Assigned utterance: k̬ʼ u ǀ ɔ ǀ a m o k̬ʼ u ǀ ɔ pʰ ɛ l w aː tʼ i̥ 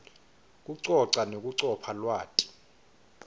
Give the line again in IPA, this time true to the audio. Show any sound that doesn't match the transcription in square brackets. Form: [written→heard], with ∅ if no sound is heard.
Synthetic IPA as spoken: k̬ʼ u ǀ ɔ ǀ a [m→n] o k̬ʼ u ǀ ɔ pʰ [ɛ→a] l w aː tʼ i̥

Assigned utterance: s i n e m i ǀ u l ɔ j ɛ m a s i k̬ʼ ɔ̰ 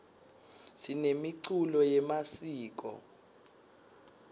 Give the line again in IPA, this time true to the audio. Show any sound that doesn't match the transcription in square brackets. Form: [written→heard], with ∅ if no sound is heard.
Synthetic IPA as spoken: s i n e m i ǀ u l ɔ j ɛ m a s [i→iː] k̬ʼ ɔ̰

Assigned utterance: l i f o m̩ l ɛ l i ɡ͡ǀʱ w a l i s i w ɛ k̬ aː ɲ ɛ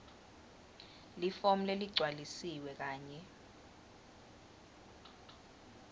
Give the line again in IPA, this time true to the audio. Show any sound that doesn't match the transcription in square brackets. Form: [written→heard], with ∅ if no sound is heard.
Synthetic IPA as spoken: l i f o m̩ l [ɛ→e] l i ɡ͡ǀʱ w a l i s i w ɛ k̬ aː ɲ ɛ

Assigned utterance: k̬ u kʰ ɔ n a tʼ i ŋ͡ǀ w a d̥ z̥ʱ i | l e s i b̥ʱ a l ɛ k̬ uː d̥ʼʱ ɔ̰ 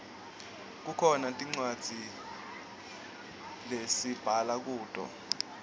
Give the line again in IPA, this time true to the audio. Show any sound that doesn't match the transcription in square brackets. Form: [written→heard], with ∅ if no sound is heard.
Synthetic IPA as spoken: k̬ u kʰ ɔ n a tʼ i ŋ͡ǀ w a d̥ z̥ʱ i | l e s i b̥ʱ a l [ɛ→a] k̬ uː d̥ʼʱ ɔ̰

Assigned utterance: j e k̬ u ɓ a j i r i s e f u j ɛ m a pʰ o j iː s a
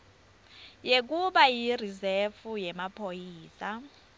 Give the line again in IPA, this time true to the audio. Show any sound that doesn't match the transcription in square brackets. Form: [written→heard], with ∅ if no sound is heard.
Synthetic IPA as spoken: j e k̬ u ɓ a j i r i [s→z] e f u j ɛ m a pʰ o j iː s a

